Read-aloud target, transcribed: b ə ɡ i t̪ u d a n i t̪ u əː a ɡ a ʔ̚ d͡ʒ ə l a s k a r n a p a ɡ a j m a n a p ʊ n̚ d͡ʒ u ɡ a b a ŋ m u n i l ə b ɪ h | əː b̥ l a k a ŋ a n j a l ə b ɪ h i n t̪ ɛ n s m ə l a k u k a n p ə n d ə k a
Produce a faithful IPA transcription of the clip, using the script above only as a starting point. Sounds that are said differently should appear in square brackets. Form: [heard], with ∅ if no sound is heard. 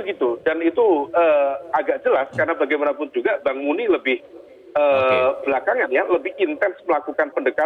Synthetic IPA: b ə ɡ i t̪ u d a n i t̪ u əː a ɡ a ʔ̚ d͡ʒ ə l a s k a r n a [b] a ɡ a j m a n a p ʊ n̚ d͡ʒ u ɡ a b a ŋ m u n i l ə b ɪ h | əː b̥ l a k a ŋ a n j a l ə b ɪ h i n t̪ ɛ n s m ə l a k u k a n p ə n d ə k a